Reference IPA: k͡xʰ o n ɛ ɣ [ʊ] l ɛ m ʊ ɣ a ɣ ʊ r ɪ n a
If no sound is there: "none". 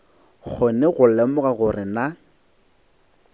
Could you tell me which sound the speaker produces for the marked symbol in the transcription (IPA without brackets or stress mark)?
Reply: ʊ